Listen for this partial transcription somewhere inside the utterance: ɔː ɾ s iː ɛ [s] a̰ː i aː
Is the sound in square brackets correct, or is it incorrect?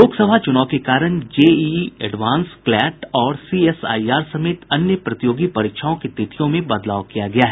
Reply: correct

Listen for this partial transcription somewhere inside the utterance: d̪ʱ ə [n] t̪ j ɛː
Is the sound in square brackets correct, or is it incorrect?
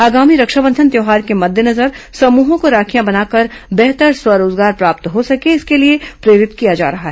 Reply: correct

